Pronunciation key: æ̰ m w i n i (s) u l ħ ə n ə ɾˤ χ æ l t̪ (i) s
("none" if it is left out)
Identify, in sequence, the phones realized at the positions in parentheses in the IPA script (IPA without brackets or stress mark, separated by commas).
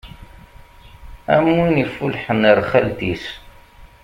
f, i